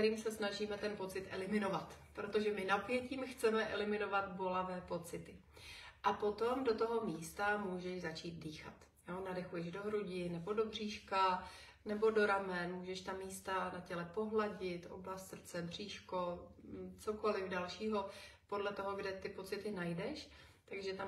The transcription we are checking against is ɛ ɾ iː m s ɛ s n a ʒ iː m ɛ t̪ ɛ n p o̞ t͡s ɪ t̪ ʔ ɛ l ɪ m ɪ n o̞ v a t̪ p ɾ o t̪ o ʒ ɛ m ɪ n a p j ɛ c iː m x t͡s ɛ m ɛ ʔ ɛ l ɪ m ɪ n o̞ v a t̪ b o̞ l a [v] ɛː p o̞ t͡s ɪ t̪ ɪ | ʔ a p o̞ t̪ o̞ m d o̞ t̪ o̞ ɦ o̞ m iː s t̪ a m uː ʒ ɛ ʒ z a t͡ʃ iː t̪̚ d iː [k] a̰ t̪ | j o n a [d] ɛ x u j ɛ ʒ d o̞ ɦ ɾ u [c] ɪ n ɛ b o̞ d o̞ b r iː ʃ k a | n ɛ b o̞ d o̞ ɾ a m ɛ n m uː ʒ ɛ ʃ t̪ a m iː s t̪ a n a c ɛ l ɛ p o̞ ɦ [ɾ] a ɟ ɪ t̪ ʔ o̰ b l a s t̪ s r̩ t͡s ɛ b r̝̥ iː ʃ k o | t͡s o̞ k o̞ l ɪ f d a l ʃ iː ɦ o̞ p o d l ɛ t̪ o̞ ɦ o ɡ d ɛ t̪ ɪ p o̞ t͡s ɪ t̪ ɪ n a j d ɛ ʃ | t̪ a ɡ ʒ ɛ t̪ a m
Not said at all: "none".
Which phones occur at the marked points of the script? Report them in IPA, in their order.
v, x, d, ɟ, l

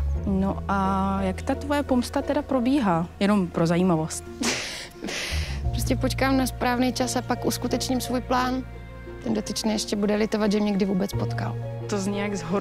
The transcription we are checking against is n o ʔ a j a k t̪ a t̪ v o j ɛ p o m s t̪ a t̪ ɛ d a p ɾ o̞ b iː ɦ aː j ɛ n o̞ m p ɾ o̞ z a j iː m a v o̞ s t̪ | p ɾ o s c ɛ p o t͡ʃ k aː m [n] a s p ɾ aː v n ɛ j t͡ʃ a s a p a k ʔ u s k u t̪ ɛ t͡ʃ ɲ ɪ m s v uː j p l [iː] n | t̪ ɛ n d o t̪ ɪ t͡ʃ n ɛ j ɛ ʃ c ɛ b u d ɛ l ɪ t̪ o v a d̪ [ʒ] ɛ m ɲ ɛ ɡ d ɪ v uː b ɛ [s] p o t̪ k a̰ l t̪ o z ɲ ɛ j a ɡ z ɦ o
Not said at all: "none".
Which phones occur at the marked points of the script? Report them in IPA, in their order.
n, aː, ʒ, t͡s

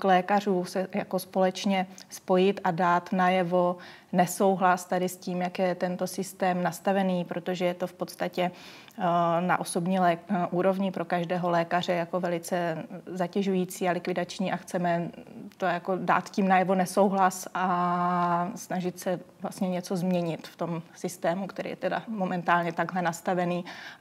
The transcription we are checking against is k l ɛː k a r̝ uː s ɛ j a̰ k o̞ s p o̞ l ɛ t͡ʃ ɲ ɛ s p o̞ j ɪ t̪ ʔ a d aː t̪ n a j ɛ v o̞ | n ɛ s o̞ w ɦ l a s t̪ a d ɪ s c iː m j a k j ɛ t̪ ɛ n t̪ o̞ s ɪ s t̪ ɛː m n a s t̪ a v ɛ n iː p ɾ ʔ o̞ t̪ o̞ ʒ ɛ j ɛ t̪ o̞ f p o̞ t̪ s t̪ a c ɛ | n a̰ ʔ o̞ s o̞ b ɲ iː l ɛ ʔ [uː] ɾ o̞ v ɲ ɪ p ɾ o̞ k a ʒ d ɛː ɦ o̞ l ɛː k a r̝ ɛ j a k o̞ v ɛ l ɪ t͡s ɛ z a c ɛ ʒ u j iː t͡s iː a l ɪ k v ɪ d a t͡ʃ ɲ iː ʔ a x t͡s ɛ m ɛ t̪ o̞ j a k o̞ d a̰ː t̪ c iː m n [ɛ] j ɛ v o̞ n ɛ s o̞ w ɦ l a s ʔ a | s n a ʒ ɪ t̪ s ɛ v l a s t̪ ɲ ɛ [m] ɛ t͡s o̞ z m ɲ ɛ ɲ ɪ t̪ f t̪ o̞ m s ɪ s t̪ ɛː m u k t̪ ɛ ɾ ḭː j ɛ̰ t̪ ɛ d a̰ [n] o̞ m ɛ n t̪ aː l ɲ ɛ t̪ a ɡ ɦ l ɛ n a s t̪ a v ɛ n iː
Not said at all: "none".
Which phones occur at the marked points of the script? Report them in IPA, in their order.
uː, a, ɲ, m

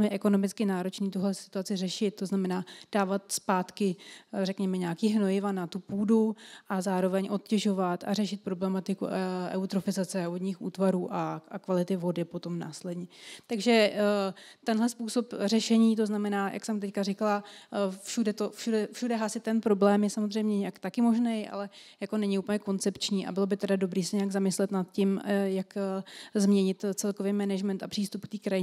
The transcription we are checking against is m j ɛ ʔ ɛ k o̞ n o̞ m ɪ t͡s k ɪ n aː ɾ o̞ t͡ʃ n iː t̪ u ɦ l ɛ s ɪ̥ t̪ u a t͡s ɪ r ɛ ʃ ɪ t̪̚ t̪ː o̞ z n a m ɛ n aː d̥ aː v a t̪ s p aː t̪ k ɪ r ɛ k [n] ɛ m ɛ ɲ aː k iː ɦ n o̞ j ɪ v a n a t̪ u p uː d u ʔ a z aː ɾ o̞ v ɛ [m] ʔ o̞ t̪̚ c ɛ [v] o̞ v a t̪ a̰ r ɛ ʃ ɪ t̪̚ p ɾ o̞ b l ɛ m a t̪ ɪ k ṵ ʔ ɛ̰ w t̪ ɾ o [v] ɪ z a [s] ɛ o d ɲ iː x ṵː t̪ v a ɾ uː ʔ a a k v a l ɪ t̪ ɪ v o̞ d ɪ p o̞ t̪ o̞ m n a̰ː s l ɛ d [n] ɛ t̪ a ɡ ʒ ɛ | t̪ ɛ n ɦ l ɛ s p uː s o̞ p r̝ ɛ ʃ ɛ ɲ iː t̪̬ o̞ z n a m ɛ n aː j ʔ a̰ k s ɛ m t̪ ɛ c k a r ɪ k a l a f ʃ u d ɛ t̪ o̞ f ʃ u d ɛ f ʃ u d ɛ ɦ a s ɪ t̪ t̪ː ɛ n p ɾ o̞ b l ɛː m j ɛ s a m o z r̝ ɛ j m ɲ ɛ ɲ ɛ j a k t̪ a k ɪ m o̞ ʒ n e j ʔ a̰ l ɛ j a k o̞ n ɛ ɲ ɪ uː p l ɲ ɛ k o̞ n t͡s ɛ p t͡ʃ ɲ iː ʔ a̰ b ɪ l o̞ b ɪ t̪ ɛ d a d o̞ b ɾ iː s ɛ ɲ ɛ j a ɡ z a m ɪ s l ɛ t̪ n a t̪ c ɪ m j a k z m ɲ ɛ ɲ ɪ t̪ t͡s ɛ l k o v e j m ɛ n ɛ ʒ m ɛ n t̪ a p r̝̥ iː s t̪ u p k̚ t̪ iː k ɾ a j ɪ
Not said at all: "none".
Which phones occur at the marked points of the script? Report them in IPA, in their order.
ɲ, ɲ, ʒ, f, t͡s, ɲ

